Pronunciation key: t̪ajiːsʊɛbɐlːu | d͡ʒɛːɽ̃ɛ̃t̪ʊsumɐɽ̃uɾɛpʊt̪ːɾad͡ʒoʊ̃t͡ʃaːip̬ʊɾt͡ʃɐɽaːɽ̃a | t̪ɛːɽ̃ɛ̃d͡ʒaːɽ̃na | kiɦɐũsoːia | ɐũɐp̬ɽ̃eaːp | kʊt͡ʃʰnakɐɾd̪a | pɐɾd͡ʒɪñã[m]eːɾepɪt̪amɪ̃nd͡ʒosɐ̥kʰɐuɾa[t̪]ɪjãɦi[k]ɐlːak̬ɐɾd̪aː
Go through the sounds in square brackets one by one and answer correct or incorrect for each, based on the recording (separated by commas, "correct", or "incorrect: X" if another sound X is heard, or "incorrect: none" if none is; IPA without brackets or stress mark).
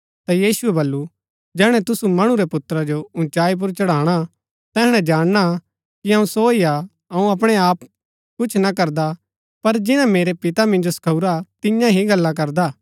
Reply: correct, correct, incorrect: ɡ